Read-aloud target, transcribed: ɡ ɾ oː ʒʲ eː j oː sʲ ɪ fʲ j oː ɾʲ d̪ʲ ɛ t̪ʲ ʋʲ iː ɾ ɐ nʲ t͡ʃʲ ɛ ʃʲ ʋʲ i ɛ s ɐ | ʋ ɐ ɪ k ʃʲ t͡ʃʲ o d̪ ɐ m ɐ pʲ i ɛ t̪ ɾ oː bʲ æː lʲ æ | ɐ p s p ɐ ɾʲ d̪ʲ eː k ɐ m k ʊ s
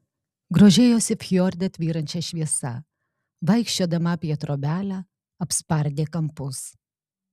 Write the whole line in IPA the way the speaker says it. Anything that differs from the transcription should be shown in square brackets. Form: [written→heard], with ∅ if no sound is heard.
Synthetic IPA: ɡ ɾ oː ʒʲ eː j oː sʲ ɪ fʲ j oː ɾʲ d̪ʲ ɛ t̪ʲ ʋʲ iː ɾ ɐ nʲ t͡ʃʲ ɛ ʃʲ ʋʲ i ɛ s ɐ | ʋ ɐ ɪ k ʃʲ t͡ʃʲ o d̪ ɐ m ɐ pʲ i ɛ t̪ ɾ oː bʲ æː lʲ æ | ɐ p s p ɐ ɾʲ d̪ʲ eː k ɐ m [k→p] ʊ s